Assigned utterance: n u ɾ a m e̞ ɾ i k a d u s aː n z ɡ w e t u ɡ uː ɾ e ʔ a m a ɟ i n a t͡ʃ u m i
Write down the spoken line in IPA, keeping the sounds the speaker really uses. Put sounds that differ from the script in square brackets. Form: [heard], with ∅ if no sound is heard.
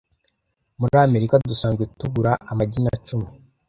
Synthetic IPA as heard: [m] u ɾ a m e̞ ɾ i k a d u s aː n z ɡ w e t u ɡ [u] ɾ [a] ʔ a m a ɟ i n a t͡ʃ u m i